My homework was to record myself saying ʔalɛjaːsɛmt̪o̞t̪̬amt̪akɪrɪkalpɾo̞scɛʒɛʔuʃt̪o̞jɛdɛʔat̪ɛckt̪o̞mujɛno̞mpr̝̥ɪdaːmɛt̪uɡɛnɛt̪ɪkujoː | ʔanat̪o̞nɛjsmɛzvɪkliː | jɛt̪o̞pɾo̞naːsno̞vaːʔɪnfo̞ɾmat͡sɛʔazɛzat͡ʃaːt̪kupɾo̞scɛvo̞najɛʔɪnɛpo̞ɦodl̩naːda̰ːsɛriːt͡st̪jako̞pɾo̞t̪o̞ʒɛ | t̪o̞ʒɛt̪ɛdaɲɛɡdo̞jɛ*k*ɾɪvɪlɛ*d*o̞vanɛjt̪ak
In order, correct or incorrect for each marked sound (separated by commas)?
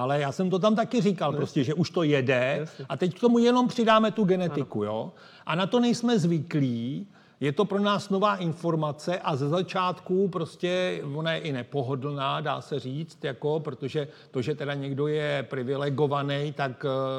incorrect, incorrect